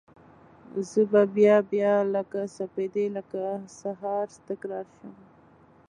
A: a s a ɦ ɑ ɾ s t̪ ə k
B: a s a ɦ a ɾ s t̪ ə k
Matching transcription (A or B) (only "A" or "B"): A